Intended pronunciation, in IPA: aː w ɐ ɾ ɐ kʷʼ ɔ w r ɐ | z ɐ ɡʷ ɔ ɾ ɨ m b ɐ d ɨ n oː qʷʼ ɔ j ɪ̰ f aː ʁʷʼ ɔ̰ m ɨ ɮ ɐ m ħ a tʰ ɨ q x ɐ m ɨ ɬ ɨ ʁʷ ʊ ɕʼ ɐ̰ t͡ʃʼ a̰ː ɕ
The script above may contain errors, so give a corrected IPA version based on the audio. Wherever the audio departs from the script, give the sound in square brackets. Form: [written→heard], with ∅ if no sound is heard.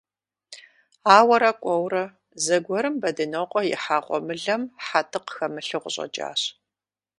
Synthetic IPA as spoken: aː w ɐ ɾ ɐ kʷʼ ɔ w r ɐ | z ɐ ɡʷ ɔ ɾ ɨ m b ɐ d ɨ n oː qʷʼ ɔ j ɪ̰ [f→ħ] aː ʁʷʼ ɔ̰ m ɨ ɮ ɐ m ħ a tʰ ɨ q x ɐ m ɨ ɬ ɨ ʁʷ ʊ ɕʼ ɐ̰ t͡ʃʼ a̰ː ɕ